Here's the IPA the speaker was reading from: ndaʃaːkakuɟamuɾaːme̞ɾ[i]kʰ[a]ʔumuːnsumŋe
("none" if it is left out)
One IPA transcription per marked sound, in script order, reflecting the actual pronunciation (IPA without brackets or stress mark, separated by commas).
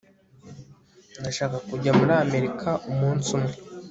i, a